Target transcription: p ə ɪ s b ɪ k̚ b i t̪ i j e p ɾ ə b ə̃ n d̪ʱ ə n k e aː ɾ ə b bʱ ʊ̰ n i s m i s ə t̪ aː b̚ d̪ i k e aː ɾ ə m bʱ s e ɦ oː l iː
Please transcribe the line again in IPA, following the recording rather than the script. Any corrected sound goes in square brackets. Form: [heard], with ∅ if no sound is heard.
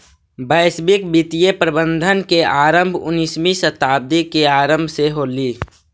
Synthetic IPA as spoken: [b] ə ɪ s b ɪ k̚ b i t̪ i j e p ɾ ə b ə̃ n d̪ʱ ə n k e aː ɾ ə [m] bʱ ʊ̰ n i s m i s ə t̪ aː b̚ d̪ i k e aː ɾ ə m bʱ s e ɦ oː l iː